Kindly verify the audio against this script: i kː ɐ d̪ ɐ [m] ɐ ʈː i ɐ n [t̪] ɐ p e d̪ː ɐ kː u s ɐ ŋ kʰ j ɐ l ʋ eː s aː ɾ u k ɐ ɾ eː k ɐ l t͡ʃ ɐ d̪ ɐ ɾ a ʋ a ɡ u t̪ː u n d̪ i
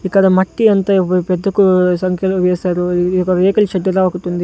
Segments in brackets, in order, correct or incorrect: correct, correct

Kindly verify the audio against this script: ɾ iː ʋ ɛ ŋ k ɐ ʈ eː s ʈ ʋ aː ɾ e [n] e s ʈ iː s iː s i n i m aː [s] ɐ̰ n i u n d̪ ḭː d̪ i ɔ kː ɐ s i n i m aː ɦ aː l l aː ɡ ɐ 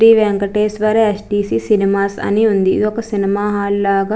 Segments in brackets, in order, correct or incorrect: incorrect: none, correct

